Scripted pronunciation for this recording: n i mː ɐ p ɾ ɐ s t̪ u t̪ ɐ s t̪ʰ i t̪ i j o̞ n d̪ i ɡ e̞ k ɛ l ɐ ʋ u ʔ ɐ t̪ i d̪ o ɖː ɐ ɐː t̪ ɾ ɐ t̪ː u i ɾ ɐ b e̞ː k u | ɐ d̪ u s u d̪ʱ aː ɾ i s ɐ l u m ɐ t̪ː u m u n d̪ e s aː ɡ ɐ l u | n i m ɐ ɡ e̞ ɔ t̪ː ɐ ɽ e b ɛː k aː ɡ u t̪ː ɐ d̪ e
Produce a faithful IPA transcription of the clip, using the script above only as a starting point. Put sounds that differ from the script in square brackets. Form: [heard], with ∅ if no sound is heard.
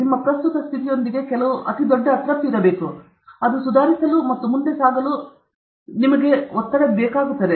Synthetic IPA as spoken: n i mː ɐ p ɾ ɐ s t̪ u t̪ ɐ s t̪ʰ i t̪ i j o̞ n d̪ i ɡ e̞ k ɛ l ɐ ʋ u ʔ ɐ t̪ i d̪ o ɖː ɐ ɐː t̪ ɾ ɐ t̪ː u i ɾ ɐ b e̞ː k u | ɐ d̪ u s u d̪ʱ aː ɾ i s ɐ l u m ɐ t̪ː u m u n d̪ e s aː ɡ ɐ l u | n i m ɐ ɡ e̞ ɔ t̪ː ɐ ɽ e b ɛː k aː ɡ u t̪ː ɐ d̪ e